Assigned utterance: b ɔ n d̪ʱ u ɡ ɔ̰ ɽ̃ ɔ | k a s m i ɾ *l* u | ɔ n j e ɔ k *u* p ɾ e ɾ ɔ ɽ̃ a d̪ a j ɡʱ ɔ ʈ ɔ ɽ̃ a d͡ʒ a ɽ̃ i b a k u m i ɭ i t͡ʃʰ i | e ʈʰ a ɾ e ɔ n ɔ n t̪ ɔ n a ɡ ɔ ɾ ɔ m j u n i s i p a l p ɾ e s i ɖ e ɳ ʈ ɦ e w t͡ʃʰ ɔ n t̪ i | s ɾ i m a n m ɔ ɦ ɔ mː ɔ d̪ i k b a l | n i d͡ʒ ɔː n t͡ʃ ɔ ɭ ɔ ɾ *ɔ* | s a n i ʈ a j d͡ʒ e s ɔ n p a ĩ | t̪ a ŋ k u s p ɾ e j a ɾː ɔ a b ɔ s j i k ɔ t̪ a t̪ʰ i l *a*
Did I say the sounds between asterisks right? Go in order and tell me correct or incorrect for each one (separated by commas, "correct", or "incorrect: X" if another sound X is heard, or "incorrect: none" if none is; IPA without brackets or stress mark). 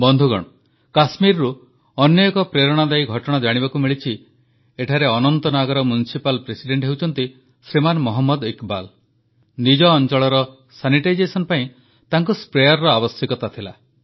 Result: incorrect: ɾ, incorrect: ɔ, correct, correct